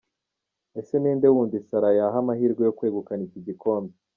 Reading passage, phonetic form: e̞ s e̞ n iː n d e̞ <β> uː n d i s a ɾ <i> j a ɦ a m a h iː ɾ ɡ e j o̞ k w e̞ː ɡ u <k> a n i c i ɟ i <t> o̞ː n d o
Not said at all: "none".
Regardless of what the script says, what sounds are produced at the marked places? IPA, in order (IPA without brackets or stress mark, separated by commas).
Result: w, a, k, k